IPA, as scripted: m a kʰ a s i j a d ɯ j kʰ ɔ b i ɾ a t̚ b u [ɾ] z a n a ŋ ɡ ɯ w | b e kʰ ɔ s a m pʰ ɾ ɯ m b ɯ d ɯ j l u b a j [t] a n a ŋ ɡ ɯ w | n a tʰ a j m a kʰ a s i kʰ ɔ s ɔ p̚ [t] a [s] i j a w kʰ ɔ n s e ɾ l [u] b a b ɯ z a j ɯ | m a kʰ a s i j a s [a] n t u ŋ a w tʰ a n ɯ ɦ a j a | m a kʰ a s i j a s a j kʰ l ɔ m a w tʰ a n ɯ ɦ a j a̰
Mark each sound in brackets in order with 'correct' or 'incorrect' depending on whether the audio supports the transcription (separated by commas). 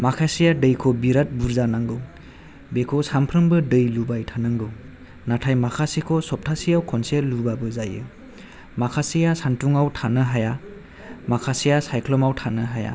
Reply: correct, incorrect, incorrect, correct, correct, correct